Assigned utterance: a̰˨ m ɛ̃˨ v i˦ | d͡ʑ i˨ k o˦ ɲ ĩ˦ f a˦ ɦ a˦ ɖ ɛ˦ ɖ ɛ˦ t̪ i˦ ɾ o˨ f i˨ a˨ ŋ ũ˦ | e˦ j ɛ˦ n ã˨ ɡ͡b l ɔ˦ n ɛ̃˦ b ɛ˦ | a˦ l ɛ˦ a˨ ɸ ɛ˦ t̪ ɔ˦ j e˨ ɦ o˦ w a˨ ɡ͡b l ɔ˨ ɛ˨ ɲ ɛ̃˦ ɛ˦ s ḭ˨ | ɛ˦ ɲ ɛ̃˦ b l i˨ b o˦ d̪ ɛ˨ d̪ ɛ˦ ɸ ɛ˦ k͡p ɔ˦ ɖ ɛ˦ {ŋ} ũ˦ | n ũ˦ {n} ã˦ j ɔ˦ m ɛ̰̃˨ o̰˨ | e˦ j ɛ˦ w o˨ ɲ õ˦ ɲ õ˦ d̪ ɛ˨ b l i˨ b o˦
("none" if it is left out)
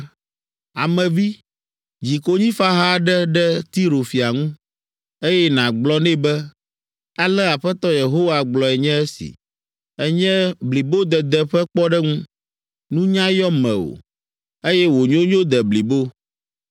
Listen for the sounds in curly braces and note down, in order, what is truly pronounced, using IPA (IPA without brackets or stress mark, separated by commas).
ŋ, ɲ